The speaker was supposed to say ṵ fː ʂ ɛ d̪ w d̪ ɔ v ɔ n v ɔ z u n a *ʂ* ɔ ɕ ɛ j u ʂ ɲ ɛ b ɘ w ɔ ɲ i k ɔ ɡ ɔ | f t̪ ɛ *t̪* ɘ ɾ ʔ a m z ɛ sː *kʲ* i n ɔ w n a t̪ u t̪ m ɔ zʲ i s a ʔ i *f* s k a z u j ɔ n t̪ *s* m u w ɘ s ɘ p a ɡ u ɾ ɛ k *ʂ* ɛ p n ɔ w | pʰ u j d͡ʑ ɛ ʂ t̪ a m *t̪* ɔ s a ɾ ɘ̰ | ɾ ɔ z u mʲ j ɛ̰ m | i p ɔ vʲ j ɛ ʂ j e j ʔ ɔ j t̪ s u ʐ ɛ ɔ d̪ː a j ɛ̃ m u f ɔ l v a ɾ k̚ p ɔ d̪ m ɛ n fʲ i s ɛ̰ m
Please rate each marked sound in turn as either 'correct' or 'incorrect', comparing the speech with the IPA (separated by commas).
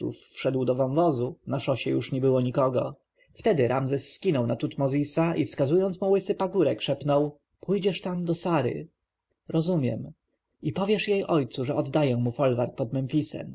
correct, incorrect, correct, correct, correct, correct, incorrect